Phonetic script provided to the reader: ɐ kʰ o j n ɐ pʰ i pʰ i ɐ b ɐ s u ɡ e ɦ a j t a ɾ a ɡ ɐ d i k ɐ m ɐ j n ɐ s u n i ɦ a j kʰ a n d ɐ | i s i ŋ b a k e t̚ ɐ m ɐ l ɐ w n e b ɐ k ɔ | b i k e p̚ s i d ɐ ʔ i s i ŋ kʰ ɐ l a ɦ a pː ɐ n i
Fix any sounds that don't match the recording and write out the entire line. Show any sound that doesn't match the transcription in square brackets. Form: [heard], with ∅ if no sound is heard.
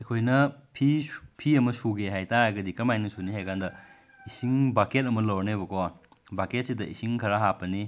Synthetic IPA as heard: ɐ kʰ o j n ɐ pʰ i pʰ i ɐ [m] ɐ s u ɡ e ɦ a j t a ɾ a ɡ ɐ d i k ɐ m [a] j n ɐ s u n i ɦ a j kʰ a n d ɐ | i s i ŋ b a k e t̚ ɐ m ɐ l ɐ w n e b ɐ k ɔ | b [a] k e [t̚] s i d ɐ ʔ i s i ŋ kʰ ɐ [ɾ] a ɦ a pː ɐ n i